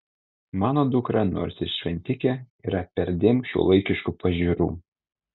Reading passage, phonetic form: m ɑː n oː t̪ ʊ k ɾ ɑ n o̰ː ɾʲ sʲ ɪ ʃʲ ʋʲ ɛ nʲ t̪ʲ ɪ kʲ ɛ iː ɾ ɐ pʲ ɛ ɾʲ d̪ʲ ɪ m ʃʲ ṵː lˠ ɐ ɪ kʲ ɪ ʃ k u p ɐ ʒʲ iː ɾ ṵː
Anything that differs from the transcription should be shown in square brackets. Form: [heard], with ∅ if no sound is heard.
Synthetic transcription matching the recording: m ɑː n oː [d̪] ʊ k ɾ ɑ n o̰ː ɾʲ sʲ ɪ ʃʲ ʋʲ ɛ nʲ t̪ʲ ɪ kʲ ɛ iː ɾ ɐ pʲ ɛ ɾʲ d̪ʲ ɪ m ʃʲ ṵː lˠ ɐ ɪ kʲ ɪ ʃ k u p ɐ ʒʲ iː ɾ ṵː